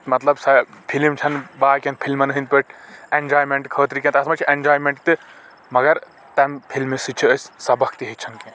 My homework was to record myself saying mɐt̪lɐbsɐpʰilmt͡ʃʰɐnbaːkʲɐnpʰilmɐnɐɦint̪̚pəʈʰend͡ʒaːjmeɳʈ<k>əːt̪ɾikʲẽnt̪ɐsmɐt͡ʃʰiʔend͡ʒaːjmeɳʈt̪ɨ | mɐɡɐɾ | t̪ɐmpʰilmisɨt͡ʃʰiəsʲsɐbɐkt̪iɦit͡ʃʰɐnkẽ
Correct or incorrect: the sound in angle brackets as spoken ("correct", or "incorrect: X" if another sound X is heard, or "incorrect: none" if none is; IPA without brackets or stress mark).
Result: incorrect: kʰ